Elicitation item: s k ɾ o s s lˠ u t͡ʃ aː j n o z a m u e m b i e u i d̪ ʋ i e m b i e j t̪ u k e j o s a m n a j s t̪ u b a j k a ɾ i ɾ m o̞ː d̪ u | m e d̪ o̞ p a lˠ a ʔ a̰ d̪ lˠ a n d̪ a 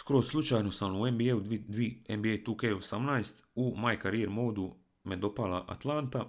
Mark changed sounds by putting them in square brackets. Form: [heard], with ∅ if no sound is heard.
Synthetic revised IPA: s k ɾ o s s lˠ u t͡ʃ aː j n o [s] a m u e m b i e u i d̪ ʋ i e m b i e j t̪ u k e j o s a m n a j s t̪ u [m] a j k a ɾ i ɾ m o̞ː d̪ u | m e d̪ o̞ p a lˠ a ʔ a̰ [t̪] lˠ a n [t̪] a